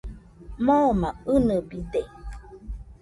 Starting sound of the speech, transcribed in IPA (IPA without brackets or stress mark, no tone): m